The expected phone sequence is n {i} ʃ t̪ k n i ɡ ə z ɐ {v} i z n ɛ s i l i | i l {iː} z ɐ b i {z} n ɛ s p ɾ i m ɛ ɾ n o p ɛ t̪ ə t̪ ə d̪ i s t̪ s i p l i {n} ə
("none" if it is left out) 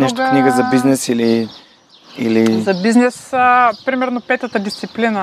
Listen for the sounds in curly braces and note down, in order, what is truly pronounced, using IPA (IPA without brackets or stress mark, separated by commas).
ɛ, b, i, z, n